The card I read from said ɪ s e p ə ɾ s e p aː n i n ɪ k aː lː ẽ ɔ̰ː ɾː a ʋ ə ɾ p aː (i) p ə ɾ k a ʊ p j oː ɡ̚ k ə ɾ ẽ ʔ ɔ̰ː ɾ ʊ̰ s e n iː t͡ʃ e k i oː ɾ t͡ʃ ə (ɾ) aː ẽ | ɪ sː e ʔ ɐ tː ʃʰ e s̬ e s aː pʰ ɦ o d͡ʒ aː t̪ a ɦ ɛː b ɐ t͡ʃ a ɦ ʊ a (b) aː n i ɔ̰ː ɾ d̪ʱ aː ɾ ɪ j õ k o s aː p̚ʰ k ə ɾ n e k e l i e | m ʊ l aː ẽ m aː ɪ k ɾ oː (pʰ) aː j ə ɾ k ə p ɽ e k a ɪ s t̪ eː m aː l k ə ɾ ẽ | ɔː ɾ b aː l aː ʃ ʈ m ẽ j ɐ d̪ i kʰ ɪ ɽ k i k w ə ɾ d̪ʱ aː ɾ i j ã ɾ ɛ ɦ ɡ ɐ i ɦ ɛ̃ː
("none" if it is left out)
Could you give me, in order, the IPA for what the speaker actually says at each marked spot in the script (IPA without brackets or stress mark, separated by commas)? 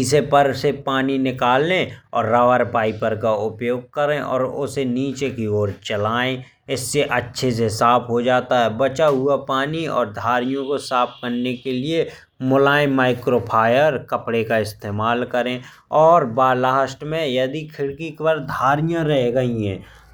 i, l, p, pʰ